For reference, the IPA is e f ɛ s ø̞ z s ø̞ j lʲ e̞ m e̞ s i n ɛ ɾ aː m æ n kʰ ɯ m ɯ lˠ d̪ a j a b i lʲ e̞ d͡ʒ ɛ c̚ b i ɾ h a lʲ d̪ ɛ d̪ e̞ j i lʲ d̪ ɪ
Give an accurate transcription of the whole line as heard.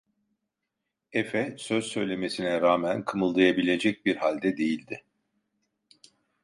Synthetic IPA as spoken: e f ɛ s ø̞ z s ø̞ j lʲ e̞ m e̞ s i n ɛ ɾ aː m æ n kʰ ɯ m ɯ lˠ d̪ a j a b i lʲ e̞ d͡ʒ ɛ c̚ b i ɾ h a lʲ d̪ ɛ d̪ e̞ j i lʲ d̪ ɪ